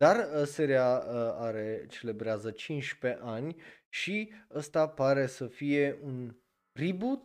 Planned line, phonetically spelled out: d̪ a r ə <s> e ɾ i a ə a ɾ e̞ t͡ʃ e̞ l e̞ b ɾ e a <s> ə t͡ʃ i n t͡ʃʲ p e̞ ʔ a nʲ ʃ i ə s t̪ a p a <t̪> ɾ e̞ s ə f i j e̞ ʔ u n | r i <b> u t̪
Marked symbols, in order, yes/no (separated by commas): yes, no, no, yes